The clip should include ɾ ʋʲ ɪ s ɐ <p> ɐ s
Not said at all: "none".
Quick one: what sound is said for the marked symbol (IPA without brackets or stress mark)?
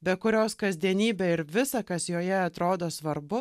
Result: k